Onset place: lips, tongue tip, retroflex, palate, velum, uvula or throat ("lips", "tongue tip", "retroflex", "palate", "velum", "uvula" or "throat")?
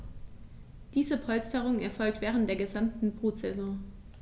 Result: tongue tip